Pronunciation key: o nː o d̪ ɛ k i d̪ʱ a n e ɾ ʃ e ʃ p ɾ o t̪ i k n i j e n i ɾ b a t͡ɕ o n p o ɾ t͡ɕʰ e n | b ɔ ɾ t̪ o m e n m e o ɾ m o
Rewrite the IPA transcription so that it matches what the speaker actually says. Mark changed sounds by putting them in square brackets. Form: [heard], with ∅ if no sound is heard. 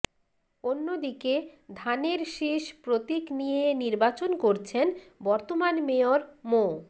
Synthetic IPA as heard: o nː o d̪ [i] k [e] d̪ʱ a n e ɾ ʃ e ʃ p ɾ o t̪ i k n i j e n i ɾ b a t͡ɕ o n [k] o ɾ t͡ɕʰ e n | b ɔ ɾ t̪ o m [a] n m e o ɾ m o